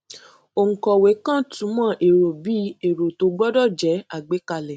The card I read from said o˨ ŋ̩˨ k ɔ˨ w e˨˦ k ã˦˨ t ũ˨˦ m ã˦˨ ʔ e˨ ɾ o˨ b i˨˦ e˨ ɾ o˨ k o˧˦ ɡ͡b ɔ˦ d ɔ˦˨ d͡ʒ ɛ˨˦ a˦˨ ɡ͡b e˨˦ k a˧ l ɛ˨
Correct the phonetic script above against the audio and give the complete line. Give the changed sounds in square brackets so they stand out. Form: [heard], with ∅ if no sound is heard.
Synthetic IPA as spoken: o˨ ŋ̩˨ k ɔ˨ w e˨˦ k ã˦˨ t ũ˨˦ m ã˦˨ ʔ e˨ ɾ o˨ b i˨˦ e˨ ɾ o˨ [t] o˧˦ ɡ͡b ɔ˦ d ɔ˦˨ d͡ʒ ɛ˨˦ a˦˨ ɡ͡b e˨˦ k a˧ l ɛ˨